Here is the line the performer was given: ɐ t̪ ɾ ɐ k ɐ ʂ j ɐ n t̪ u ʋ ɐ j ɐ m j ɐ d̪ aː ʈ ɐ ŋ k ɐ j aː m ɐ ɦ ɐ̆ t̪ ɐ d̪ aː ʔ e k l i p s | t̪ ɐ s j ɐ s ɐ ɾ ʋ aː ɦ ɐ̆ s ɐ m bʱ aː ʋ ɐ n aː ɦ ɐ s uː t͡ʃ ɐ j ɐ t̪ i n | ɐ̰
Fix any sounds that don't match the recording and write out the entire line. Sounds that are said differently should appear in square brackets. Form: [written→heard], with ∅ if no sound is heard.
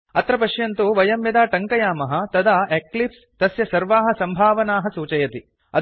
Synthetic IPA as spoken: ɐ t̪ ɾ ɐ [k→p] ɐ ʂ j ɐ n t̪ u ʋ ɐ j ɐ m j ɐ d̪ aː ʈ ɐ ŋ k ɐ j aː m ɐ ɦ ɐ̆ t̪ ɐ d̪ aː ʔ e k l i p s | t̪ ɐ s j ɐ s ɐ ɾ ʋ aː ɦ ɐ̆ s ɐ m bʱ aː ʋ ɐ n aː ɦ ɐ s uː t͡ʃ ɐ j ɐ t̪ i [n→∅] | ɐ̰

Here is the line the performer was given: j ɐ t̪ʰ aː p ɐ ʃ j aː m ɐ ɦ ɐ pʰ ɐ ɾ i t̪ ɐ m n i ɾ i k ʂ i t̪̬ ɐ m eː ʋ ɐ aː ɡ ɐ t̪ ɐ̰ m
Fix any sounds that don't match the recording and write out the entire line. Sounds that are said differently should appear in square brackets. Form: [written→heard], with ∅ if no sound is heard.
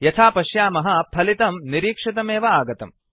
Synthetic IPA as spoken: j ɐ t̪ʰ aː p ɐ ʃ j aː m ɐ ɦ ɐ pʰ ɐ [ɾ→l] i t̪ ɐ m n i ɾ [i→iː] k ʂ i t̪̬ ɐ m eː ʋ ɐ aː ɡ ɐ t̪ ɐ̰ m

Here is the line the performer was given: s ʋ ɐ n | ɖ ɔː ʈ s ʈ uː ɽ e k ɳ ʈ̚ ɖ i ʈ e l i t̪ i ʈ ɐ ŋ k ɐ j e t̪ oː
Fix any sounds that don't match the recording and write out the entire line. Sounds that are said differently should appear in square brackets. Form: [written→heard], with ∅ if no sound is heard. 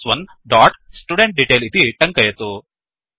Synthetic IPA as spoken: s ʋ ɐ n | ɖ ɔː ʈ s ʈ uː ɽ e [k→∅] ɳ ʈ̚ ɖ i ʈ e l i t̪ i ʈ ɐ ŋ k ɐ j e t̪ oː

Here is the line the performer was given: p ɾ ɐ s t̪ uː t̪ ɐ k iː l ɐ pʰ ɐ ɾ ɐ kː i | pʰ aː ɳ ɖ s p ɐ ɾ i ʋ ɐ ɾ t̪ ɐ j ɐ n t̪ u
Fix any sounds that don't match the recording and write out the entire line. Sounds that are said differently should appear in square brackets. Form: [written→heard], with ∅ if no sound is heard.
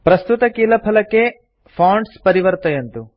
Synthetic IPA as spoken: p ɾ ɐ s t̪ [uː→u] t̪ ɐ k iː l ɐ pʰ ɐ [ɾ→l] ɐ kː [i→e] | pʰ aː ɳ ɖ s p ɐ ɾ i ʋ ɐ ɾ t̪ ɐ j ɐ n t̪ u

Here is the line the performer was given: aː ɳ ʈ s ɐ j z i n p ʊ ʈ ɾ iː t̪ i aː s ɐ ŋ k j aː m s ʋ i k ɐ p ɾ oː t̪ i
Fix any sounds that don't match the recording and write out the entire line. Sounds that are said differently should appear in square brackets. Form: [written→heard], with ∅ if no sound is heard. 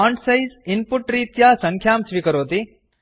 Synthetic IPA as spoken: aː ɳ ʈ s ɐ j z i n p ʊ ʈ ɾ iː t̪ [i→j] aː s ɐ ŋ [k→kʰ] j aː m s ʋ i k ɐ [p→∅] ɾ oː t̪ i

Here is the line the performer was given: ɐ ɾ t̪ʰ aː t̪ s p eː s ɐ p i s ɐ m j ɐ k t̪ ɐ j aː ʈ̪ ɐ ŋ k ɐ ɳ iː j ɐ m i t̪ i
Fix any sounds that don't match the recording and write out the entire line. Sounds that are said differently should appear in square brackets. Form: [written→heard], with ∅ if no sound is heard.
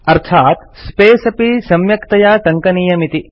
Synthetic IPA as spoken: ɐ ɾ t̪ʰ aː t̪ s p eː s ɐ p i s ɐ m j ɐ k t̪ ɐ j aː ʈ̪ ɐ ŋ k ɐ [ɳ→n] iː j ɐ m i t̪ i

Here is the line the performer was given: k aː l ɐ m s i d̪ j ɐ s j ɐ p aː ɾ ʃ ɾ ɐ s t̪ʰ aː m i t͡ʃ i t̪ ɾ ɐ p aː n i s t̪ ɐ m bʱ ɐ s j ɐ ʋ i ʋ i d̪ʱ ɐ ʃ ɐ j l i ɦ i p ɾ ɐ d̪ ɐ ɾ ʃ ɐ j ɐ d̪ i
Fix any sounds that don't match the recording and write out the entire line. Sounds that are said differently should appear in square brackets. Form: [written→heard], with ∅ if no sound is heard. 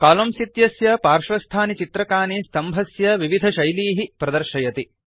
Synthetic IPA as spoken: k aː l ɐ m s i [d̪→t̪] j ɐ s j ɐ p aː ɾ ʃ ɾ ɐ s t̪ʰ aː [m→n] i t͡ʃ i t̪ ɾ ɐ [p→k] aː n i s t̪ ɐ m bʱ ɐ s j ɐ ʋ i ʋ i d̪ʱ ɐ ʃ ɐ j l [i→iː] ɦ i p ɾ ɐ d̪ ɐ ɾ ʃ ɐ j ɐ [d̪→t̪] i

